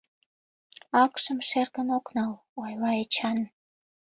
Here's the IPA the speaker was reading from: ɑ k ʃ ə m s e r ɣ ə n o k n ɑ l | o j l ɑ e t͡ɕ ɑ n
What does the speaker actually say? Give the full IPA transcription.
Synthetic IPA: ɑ k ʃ ə m ʃ e r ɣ ə n o k n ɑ l | o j l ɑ e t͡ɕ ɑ n